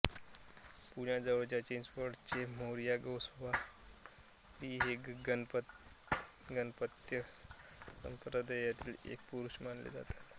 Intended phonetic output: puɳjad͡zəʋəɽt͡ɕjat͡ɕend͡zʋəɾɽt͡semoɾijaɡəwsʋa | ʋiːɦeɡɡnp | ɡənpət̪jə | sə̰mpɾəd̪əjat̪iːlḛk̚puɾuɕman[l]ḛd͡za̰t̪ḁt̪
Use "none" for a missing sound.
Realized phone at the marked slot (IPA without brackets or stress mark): l